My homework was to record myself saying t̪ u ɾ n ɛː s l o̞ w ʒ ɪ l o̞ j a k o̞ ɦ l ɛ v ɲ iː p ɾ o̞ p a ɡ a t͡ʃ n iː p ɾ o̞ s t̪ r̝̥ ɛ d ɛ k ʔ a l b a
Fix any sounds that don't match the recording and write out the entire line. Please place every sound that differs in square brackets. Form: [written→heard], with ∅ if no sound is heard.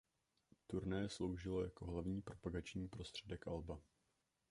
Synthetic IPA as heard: t̪ u ɾ n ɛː s l o̞ w ʒ ɪ l o̞ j a k o̞ ɦ l [ɛ→a] v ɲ iː p ɾ o̞ p a ɡ a t͡ʃ [n→ɲ] iː p ɾ o̞ s t̪ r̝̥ ɛ d ɛ k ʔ a l b a